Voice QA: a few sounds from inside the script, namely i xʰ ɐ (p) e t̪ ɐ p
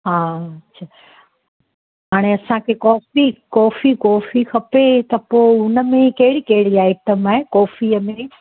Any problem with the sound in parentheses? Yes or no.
no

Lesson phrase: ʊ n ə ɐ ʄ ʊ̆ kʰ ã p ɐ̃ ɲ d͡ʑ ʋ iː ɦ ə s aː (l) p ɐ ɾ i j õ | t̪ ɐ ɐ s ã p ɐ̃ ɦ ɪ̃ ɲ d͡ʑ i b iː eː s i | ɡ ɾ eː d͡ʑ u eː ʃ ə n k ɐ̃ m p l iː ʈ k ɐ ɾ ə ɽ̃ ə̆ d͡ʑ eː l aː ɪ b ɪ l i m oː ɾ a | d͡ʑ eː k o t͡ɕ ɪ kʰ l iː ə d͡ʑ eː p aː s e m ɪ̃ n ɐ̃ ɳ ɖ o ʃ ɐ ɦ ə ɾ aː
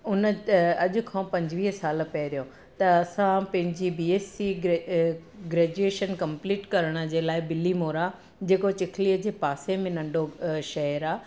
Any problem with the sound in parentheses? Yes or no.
no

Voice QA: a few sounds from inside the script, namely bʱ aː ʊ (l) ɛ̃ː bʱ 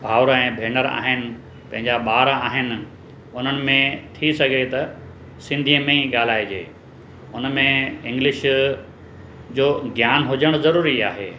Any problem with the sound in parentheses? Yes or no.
yes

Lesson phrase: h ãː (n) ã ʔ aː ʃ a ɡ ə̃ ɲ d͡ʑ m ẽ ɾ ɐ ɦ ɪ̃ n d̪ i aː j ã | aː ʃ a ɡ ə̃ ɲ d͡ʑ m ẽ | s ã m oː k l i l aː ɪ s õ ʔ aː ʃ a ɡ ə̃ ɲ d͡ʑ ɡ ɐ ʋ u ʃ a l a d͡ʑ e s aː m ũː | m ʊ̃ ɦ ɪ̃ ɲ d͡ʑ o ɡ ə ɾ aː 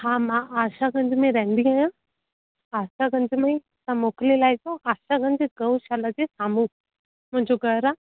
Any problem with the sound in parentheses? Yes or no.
yes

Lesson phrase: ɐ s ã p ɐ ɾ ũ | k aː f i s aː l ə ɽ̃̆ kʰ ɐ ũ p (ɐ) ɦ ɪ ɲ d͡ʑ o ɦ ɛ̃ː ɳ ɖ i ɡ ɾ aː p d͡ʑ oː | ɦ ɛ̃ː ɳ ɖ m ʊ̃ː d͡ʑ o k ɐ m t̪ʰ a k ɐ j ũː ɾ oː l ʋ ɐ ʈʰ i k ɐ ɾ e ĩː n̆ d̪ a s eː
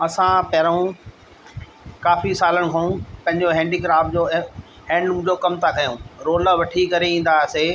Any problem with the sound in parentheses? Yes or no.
yes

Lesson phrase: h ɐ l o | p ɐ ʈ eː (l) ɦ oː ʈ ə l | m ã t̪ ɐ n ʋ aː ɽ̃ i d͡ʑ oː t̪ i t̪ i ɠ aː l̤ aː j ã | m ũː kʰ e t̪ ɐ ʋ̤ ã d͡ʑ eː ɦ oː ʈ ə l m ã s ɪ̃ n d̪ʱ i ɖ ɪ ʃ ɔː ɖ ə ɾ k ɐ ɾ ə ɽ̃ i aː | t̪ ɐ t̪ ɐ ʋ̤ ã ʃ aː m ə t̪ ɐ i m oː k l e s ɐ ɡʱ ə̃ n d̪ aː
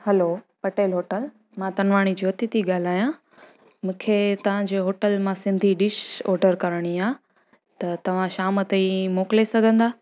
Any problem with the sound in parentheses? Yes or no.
no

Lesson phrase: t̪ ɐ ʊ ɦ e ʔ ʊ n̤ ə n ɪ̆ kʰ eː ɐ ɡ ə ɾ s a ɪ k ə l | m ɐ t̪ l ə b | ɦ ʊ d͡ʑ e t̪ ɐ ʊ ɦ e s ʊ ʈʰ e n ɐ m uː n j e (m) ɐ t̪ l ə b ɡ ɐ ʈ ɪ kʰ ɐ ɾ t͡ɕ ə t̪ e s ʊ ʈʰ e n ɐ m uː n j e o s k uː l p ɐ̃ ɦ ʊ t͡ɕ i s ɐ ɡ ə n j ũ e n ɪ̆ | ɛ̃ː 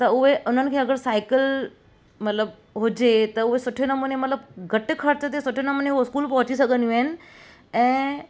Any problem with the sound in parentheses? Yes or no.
no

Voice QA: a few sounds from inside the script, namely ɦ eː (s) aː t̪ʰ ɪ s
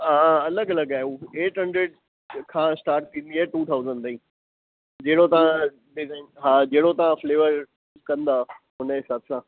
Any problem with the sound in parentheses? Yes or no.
no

